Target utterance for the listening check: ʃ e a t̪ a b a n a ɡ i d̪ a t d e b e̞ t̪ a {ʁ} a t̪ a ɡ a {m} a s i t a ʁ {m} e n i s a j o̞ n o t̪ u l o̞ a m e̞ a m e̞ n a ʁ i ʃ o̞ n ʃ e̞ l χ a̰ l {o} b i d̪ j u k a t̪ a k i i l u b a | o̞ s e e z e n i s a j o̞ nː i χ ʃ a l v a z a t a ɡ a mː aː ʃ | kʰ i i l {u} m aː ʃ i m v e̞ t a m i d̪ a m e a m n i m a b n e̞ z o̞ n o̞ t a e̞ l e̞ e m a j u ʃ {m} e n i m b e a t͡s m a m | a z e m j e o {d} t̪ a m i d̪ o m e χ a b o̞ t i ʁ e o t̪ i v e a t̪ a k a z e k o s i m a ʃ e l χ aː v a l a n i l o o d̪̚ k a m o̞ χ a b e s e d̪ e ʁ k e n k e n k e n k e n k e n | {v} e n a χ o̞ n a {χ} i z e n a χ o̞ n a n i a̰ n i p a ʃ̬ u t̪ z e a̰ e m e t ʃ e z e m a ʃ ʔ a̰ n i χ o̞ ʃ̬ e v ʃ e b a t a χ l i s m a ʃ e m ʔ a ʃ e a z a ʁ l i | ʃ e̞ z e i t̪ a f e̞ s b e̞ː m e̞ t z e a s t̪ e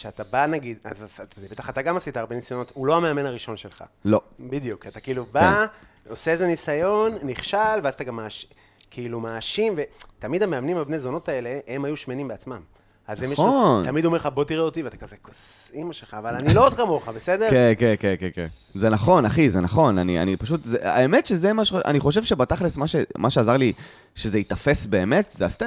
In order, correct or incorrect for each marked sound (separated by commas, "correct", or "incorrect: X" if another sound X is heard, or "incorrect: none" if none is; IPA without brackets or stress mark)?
incorrect: χ, correct, incorrect: b, correct, correct, correct, incorrect: n, incorrect: z, correct